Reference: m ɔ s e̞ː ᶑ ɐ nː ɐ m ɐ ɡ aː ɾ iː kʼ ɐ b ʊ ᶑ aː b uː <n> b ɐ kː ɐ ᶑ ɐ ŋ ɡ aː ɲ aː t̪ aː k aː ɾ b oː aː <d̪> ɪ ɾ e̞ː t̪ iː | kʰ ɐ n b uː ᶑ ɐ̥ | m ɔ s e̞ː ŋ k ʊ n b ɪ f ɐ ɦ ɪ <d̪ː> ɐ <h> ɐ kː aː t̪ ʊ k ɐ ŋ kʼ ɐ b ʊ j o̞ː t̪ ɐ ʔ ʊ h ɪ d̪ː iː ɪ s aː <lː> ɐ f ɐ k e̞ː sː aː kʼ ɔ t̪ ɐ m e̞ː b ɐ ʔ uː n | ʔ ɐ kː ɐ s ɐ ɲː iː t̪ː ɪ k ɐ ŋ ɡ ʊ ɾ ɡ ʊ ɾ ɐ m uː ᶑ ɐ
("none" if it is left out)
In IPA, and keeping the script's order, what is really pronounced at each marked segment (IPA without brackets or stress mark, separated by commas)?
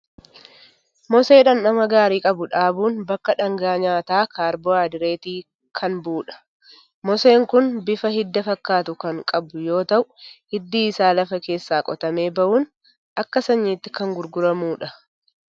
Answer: n, d̪, d̪ː, f, l